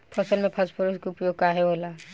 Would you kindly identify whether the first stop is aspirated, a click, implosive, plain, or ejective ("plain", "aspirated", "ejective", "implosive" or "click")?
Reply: aspirated